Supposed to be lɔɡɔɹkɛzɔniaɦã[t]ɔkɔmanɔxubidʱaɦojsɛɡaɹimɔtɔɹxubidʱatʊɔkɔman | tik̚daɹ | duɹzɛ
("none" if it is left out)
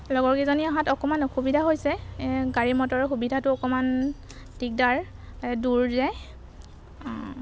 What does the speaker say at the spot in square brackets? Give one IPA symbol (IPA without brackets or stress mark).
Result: t